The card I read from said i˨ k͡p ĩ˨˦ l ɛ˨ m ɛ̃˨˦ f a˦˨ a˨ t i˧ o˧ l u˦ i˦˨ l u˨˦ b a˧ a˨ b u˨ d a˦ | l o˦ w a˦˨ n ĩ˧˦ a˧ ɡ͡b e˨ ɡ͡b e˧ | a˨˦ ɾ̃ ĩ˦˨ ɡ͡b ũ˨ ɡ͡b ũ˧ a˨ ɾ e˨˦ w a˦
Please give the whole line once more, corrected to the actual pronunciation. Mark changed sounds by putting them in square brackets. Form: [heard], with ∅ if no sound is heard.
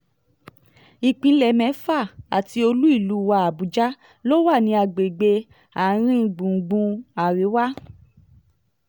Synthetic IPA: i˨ k͡p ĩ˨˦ l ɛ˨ m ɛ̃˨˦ f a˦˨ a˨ t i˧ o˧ l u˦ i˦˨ l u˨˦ [w] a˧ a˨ b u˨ [d͡ʒ] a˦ | l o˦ w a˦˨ n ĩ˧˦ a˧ ɡ͡b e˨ ɡ͡b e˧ | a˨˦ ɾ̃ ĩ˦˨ ɡ͡b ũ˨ ɡ͡b ũ˧ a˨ ɾ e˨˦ w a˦